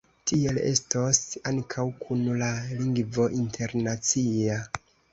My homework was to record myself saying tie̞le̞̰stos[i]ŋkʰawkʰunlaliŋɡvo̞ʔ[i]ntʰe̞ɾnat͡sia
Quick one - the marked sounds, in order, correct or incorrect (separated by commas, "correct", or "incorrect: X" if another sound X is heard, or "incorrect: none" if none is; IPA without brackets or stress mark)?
incorrect: a, correct